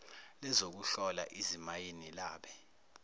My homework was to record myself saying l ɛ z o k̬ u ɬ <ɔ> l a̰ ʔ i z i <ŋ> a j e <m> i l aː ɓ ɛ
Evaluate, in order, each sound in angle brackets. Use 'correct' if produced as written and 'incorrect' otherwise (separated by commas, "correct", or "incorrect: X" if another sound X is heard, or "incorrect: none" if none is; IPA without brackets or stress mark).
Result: correct, incorrect: m, incorrect: n